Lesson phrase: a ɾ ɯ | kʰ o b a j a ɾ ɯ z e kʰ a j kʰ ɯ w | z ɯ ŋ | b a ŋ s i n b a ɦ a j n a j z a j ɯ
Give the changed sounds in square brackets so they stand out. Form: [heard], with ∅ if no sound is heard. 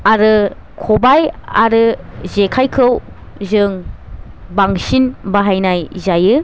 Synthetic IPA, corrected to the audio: a ɾ ɯ | kʰ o b a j a ɾ ɯ z e kʰ a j kʰ ɯ w | z ɯ ŋ | b a ŋ s i n b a ɦ a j n a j z a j ɯ